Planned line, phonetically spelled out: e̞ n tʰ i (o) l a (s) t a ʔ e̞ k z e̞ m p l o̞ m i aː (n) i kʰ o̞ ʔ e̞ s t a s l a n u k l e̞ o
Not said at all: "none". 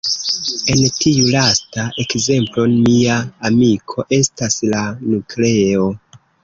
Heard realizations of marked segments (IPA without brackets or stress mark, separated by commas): u, s, m